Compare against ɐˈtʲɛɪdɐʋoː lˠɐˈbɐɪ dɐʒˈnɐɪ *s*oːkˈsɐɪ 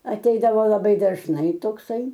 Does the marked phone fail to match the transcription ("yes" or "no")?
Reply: yes